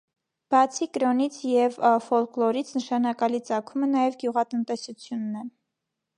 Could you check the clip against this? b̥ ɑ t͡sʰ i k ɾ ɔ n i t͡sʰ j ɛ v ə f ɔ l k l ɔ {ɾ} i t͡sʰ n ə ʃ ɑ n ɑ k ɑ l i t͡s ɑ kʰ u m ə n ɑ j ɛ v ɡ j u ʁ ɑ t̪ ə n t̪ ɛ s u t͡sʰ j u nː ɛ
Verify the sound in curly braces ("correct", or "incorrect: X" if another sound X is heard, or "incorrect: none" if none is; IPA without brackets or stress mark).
correct